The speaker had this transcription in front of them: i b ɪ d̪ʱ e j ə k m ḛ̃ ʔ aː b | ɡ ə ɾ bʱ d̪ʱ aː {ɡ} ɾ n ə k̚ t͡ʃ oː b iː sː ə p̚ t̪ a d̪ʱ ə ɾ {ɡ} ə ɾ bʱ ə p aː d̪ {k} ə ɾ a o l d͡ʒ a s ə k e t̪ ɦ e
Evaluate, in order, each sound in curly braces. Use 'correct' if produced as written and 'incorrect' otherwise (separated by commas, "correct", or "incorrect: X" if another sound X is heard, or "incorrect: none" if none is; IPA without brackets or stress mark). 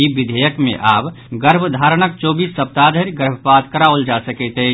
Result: incorrect: none, correct, correct